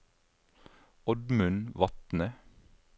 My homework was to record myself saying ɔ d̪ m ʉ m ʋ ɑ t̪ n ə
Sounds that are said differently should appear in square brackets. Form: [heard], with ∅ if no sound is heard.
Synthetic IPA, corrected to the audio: ɔ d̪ m ʉ [n] ʋ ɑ t̪ n ə